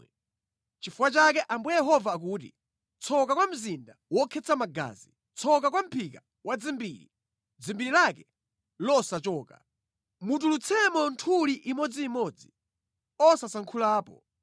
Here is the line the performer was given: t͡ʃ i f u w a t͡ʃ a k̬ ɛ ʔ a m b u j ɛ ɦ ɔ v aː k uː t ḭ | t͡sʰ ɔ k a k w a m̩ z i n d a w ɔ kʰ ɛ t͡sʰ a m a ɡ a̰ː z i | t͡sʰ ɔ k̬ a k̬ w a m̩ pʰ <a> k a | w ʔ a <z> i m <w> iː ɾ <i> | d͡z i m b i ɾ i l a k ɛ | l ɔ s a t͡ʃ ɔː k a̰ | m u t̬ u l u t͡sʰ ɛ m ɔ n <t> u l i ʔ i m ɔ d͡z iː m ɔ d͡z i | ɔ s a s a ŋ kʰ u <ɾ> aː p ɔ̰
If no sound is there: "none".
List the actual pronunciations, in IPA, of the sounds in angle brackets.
i, d͡z, b, i, tʰ, l

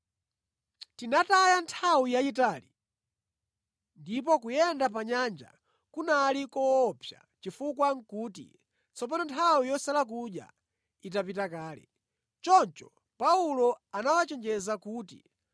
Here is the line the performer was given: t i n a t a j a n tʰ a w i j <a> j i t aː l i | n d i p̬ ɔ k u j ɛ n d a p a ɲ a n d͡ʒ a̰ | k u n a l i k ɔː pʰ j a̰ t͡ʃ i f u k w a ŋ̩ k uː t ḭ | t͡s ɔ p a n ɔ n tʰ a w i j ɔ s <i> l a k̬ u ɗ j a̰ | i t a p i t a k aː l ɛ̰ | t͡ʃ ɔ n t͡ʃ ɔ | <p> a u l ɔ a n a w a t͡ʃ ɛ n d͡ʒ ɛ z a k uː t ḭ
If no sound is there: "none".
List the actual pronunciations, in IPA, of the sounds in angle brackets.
a, a, p

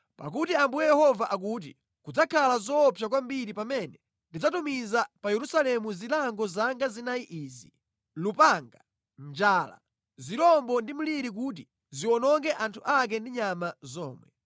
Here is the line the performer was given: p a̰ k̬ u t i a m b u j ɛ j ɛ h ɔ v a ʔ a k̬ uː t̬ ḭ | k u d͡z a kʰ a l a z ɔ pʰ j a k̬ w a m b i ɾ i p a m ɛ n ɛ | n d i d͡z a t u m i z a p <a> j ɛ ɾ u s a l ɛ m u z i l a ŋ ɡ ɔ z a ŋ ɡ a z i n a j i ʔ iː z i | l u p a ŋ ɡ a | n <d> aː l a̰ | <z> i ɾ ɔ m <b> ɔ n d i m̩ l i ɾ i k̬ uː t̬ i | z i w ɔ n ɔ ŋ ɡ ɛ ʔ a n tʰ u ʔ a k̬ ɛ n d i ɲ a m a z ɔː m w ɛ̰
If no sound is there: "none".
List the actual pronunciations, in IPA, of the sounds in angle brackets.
a, d͡ʒ, z, b

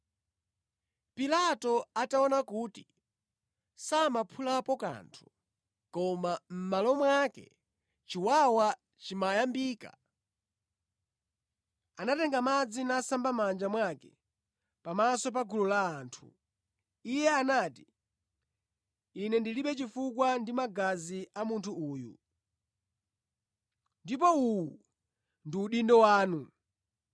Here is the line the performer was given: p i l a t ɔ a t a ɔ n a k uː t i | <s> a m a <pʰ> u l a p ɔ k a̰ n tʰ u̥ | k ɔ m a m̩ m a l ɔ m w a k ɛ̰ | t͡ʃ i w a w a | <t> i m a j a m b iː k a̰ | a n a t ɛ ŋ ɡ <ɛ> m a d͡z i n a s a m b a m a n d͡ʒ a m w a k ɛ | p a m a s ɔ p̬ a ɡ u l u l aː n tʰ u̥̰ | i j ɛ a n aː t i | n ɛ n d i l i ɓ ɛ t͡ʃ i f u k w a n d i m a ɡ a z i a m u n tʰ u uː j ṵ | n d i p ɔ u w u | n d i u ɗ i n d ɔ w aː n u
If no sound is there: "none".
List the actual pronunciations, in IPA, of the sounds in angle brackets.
s, pʰ, t͡ʃ, a

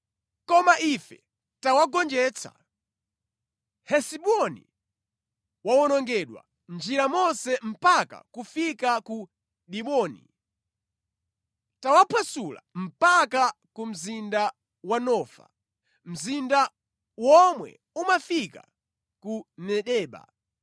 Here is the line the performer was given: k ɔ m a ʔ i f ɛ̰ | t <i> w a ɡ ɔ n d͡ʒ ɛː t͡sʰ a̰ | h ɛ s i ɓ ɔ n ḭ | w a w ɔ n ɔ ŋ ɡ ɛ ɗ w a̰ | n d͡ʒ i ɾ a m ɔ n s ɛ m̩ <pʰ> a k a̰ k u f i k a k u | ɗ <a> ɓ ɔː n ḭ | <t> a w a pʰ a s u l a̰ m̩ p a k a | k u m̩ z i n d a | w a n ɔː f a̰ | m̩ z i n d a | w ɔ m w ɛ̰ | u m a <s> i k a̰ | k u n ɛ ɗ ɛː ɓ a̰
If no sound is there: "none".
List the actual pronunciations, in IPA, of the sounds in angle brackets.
a, p, i, t, f

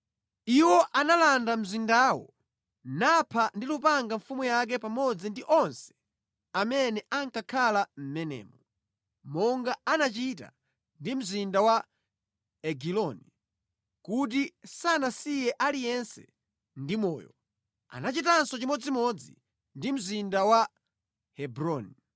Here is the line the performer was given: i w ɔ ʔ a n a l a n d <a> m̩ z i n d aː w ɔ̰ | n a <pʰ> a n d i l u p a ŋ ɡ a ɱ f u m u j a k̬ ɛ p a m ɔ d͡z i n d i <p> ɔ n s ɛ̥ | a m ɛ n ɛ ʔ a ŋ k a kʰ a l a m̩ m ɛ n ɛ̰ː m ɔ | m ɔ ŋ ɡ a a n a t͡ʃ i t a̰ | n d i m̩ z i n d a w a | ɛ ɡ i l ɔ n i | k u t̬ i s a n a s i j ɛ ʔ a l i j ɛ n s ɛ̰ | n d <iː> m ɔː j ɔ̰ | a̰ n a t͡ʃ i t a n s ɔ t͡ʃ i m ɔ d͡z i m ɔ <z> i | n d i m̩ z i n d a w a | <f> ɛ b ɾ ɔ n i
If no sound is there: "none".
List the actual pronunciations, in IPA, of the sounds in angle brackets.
a, pʰ, ʔ, i, d͡z, h

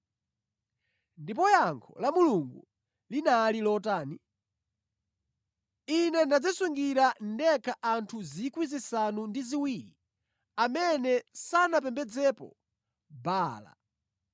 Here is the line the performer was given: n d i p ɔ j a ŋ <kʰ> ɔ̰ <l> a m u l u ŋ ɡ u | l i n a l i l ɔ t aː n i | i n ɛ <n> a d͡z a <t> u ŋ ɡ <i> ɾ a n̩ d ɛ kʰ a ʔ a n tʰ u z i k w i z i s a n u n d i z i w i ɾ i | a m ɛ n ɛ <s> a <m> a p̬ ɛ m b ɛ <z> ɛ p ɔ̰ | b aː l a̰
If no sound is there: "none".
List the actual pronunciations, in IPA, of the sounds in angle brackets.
kʰ, l, n, s, i, s, n, d͡z

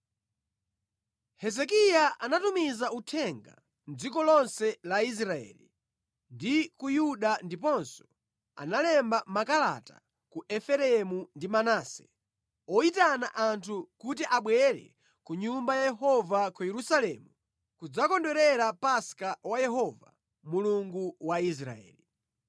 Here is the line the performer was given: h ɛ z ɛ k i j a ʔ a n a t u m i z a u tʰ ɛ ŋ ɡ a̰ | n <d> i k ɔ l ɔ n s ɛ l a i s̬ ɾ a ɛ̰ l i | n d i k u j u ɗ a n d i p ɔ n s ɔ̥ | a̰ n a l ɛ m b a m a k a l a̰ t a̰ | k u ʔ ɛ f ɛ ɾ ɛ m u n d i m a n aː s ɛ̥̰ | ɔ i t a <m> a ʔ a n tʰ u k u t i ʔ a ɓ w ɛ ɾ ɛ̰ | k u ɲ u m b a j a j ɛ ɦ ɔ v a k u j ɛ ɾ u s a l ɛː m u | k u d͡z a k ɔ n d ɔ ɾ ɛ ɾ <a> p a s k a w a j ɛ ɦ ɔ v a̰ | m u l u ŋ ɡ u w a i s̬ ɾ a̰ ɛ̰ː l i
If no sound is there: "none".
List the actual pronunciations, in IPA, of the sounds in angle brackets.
d͡z, n, a

